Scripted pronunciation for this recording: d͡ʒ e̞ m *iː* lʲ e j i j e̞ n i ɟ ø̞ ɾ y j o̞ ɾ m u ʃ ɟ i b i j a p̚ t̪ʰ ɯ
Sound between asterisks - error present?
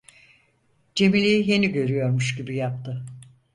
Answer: yes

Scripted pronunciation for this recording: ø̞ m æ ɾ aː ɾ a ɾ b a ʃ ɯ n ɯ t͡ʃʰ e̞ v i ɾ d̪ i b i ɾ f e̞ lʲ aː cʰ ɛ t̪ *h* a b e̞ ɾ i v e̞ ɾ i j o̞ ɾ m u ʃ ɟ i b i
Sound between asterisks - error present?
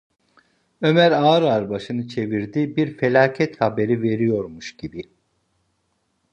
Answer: no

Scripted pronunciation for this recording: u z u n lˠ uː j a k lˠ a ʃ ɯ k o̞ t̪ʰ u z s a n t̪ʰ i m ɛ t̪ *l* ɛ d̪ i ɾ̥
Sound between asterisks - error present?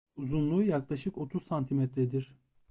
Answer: yes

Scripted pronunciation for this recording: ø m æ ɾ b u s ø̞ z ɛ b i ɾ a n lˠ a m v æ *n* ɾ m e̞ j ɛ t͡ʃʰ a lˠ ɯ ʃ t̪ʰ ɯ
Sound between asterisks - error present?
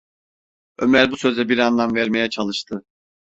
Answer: yes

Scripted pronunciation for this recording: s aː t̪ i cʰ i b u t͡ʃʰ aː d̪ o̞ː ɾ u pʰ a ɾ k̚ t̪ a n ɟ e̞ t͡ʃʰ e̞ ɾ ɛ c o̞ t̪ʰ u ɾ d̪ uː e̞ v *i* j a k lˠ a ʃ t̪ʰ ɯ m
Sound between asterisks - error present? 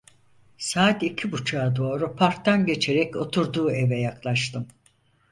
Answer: yes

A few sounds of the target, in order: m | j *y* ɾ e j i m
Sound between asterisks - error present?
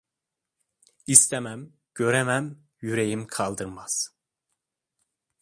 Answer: no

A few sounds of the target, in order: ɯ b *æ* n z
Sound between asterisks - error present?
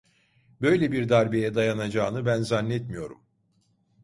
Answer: no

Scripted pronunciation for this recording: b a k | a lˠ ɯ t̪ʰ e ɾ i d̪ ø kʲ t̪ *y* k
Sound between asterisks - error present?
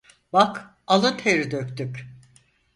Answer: no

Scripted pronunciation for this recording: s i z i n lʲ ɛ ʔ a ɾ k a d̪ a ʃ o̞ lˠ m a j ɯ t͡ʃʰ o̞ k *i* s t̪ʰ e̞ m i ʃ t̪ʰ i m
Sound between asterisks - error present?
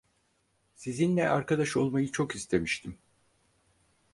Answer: no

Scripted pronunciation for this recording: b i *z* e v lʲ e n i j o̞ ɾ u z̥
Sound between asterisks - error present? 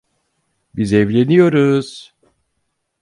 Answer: no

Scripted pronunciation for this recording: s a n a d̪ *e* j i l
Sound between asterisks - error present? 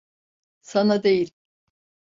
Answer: no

